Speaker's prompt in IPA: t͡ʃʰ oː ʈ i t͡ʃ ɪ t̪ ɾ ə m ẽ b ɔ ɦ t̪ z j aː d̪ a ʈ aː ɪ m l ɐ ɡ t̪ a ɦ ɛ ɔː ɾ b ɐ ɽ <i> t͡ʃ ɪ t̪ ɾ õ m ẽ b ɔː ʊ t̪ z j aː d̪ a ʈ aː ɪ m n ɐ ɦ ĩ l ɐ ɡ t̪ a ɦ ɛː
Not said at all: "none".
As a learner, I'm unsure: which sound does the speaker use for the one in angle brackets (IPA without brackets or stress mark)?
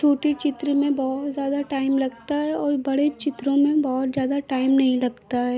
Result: e